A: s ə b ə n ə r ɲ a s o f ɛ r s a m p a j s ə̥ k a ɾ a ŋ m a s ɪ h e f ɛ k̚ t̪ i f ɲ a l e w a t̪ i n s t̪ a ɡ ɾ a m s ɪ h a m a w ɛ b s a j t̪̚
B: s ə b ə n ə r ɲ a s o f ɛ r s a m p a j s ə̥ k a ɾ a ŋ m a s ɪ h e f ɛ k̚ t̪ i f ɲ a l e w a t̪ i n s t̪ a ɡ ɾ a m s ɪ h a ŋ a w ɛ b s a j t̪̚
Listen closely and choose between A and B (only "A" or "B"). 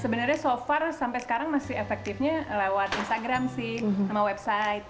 A